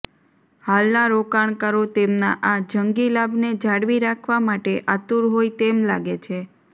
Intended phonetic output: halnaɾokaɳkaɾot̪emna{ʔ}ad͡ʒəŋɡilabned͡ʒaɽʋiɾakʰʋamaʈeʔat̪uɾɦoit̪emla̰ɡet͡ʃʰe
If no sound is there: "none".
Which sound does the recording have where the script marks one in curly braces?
ʔ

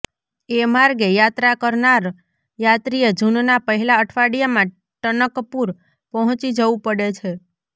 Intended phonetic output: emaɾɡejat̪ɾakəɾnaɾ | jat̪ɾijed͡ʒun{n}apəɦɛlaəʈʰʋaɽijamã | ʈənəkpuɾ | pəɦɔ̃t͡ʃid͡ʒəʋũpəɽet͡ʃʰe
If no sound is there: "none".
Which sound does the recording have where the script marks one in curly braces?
n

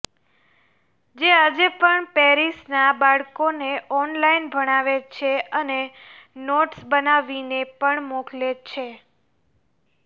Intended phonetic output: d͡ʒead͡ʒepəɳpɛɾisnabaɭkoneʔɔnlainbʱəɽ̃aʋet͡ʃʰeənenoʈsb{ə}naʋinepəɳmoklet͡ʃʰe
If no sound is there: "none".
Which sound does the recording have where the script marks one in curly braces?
ə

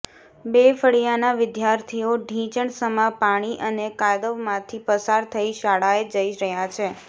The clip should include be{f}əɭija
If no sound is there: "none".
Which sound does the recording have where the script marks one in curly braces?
f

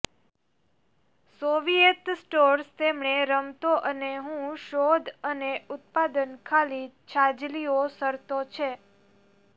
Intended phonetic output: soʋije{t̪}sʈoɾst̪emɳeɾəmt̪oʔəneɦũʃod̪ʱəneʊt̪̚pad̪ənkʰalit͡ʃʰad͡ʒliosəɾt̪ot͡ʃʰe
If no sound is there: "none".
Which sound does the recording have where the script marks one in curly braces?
t̪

